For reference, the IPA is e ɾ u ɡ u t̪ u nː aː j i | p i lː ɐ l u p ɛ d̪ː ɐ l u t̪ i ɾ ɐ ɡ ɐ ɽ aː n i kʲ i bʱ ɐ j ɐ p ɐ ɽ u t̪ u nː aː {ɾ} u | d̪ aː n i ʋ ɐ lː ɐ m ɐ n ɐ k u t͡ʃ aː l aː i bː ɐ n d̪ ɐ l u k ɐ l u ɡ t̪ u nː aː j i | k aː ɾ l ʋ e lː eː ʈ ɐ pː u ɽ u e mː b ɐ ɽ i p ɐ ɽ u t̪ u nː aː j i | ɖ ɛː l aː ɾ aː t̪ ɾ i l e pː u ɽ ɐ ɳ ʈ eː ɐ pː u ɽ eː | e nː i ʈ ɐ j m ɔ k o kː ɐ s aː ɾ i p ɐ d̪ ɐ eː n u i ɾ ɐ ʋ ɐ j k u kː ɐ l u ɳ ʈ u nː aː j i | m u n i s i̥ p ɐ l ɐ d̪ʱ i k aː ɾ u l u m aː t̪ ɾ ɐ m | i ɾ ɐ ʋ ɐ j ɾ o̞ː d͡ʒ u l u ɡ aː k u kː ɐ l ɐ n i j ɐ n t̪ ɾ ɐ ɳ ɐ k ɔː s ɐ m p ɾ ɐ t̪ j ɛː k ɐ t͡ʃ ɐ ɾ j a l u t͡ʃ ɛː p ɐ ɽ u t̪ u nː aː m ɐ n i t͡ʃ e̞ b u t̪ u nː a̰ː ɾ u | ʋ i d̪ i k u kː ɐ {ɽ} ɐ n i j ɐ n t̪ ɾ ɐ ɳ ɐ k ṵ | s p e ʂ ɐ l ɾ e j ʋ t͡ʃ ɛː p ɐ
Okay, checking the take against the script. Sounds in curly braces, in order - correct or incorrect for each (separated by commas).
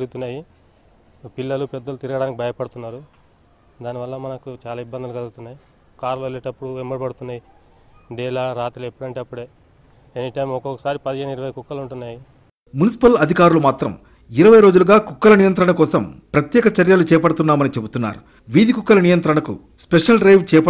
correct, incorrect